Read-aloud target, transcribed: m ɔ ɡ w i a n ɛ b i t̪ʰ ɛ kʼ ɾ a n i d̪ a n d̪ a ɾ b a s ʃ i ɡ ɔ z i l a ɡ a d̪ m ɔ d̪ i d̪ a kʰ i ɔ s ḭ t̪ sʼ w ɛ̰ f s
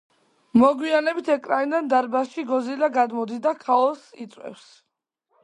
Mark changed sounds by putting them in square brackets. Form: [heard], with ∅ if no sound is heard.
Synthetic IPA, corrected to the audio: m ɔ ɡ w i a n ɛ b i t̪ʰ ɛ kʼ ɾ a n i d̪ a n d̪ a ɾ b a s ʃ i ɡ ɔ z i l a ɡ a d̪ m ɔ d̪ i d̪ a kʰ [a] ɔ s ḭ t̪ sʼ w ɛ̰ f s